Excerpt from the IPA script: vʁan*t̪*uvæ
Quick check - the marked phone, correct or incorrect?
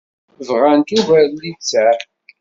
correct